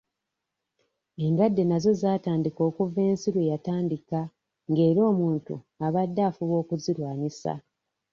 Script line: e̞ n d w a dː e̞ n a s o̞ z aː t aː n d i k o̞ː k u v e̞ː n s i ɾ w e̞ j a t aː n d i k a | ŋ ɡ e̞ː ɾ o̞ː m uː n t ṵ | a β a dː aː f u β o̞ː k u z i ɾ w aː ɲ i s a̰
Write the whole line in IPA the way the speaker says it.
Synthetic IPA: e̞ n d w a dː e̞ n a z o̞ z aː t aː n d i k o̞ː k u v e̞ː n s i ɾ w e̞ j a t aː n d i k a | ŋ ɡ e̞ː ɾ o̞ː m uː n t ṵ | a β a dː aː f u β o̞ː k u z i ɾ w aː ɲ i s a̰